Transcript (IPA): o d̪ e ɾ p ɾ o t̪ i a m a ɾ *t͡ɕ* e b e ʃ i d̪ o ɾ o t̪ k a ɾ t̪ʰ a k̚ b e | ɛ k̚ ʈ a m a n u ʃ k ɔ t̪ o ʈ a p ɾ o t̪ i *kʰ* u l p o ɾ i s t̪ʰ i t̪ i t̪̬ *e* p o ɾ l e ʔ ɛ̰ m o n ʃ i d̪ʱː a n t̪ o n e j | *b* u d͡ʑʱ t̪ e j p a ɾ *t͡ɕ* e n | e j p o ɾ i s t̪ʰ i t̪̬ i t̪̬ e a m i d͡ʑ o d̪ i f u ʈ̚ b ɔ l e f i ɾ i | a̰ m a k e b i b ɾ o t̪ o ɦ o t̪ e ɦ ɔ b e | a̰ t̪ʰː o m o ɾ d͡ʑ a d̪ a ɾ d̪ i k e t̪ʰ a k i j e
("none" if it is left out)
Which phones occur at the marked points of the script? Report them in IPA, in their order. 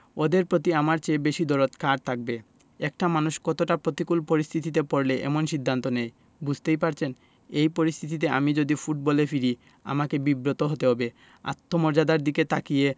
t͡ɕ, k, e, b, t͡ɕʰ

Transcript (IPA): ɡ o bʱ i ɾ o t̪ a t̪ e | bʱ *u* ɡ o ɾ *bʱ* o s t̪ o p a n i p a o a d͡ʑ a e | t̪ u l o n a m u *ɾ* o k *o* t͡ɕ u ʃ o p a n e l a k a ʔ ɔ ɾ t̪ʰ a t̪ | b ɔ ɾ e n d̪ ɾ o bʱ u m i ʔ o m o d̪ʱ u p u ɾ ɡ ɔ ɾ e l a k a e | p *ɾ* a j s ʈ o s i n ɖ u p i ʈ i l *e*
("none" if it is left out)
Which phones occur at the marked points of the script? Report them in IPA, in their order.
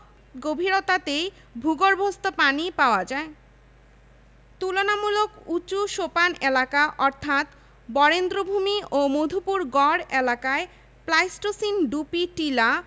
u, bʱ, l, u, l, a

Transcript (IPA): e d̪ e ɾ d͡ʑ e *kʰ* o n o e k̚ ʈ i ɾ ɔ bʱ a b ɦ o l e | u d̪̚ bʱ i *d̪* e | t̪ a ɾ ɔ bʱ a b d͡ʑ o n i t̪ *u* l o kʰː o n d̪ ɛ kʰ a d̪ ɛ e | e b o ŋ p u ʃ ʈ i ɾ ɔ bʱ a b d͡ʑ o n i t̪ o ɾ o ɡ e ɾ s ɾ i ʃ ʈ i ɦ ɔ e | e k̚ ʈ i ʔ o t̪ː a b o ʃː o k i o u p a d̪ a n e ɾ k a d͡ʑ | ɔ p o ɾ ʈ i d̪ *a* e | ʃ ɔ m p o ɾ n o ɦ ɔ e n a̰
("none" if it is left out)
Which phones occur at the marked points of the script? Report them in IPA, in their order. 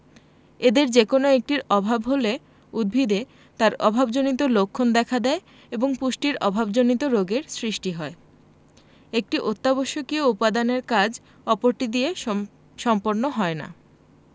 k, d̪, o, i

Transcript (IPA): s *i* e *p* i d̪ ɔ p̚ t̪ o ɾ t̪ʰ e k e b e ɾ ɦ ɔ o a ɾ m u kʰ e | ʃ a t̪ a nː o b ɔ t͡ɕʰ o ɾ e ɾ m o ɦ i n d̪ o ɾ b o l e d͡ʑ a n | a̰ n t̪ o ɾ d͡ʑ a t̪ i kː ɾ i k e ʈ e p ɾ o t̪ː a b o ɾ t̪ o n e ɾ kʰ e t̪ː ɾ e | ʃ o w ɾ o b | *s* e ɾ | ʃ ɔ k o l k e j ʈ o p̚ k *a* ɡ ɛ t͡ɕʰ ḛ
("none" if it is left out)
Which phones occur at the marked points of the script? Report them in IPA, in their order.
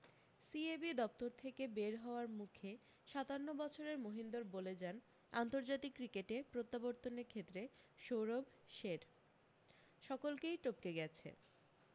i, b, ʃ, e

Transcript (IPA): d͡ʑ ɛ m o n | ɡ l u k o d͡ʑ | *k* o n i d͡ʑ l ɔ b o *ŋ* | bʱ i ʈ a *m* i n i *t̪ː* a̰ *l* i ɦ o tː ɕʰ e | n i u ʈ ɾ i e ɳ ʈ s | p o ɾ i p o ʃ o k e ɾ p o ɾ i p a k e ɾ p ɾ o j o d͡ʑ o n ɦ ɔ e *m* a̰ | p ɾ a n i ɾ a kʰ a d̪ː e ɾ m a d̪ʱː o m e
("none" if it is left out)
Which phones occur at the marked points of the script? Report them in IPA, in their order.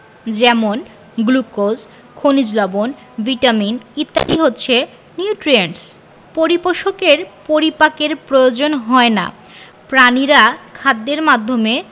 kʰ, n, m, t̪ː, l, n

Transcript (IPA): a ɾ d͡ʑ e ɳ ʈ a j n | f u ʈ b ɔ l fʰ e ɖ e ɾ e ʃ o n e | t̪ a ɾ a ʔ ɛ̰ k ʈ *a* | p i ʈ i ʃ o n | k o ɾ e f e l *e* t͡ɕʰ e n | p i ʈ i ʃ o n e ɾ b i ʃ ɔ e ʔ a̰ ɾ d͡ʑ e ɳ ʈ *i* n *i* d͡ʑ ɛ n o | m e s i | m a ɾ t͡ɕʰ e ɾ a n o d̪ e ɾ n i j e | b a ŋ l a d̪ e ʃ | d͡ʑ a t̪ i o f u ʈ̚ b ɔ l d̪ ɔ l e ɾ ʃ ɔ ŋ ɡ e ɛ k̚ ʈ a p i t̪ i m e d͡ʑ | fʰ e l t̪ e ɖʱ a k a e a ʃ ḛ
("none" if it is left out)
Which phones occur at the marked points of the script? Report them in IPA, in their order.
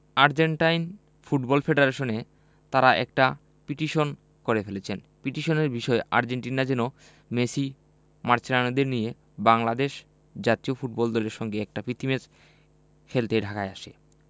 a, e, i, a

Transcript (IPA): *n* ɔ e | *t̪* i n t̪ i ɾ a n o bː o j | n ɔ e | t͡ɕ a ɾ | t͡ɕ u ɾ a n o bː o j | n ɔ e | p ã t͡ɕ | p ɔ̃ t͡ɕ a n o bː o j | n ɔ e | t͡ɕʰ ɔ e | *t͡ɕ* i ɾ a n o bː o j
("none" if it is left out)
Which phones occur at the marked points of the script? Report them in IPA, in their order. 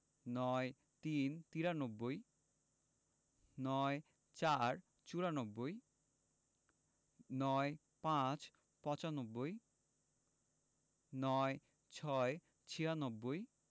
n, t̪, t͡ɕʰ

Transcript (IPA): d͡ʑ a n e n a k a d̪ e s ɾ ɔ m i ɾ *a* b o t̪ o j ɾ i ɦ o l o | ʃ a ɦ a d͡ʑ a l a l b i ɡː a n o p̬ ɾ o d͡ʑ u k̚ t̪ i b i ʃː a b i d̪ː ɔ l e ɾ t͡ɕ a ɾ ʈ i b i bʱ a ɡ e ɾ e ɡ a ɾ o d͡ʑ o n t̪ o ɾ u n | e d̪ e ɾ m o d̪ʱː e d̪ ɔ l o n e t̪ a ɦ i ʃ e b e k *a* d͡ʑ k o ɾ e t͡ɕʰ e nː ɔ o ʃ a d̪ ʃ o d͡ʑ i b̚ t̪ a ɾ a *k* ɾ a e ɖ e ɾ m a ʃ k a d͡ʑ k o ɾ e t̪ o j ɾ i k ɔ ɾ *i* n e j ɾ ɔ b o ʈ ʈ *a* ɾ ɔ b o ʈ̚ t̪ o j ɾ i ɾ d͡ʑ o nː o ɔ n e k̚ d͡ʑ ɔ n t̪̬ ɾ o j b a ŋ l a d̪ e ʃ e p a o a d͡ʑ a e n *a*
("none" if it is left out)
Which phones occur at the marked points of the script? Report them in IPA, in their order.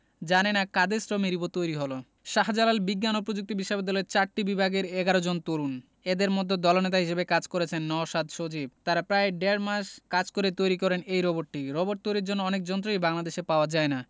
i, a, p, e, i, a

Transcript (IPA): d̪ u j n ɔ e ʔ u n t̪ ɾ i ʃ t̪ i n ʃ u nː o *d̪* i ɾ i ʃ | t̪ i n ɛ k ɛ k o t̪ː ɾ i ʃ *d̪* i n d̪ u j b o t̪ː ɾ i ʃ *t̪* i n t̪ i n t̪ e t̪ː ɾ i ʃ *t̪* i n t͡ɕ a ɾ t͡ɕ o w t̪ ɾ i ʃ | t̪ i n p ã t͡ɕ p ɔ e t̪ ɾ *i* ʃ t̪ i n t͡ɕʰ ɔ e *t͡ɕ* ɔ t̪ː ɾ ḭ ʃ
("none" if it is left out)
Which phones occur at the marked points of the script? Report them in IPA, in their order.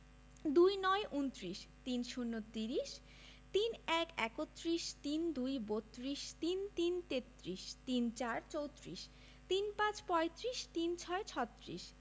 t̪, t̪, t̪, t̪, i, t͡ɕʰ

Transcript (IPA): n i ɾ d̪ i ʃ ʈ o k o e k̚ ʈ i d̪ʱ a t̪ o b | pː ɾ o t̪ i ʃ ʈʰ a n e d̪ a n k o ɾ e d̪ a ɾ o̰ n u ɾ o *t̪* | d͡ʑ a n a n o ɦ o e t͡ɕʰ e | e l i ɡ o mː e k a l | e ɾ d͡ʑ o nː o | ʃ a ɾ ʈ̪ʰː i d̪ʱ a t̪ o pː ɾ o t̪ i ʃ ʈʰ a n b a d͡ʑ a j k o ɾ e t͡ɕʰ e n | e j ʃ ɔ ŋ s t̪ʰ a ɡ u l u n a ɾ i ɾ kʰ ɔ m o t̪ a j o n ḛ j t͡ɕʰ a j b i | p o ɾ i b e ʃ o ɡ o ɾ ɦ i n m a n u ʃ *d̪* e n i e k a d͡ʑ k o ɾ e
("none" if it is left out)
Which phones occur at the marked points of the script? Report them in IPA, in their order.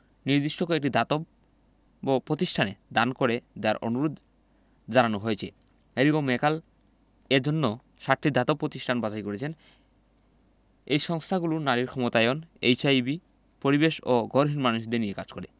d̪, d̪

